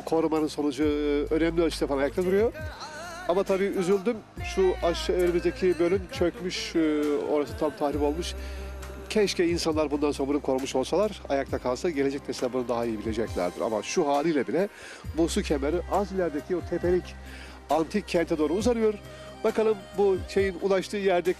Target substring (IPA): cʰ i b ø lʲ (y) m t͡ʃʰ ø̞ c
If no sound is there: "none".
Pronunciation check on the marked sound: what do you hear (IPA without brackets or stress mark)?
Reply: y